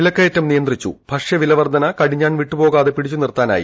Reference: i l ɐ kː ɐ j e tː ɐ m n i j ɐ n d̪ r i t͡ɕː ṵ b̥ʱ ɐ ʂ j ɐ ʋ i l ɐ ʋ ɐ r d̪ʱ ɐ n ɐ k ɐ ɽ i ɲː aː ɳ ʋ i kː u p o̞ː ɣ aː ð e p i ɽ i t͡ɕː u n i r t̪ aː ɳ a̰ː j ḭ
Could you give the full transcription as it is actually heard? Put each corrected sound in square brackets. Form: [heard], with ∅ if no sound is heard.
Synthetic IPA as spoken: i l ɐ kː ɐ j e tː ɐ m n i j ɐ n d̪ r i t͡ɕː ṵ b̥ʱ ɐ ʂ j ɐ ʋ i l ɐ ʋ ɐ r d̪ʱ ɐ n ɐ k ɐ ɽ i ɲː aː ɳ ʋ i [ʈː] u p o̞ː ɣ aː ð e p i ɽ i t͡ɕː u n i r t̪ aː [n] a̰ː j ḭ